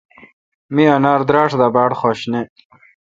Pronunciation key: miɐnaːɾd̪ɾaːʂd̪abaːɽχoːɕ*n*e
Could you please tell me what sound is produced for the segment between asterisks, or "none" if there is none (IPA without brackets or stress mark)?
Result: n